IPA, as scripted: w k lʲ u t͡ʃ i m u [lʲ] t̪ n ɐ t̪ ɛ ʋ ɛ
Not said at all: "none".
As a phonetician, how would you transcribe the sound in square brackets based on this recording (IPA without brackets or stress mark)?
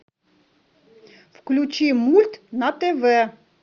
lʲ